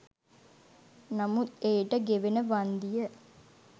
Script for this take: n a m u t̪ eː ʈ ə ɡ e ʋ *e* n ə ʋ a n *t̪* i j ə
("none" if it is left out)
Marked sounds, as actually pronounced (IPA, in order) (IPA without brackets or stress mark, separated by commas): e, d̪